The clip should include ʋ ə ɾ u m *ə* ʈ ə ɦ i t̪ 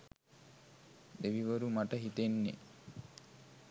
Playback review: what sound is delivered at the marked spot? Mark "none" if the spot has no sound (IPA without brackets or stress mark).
a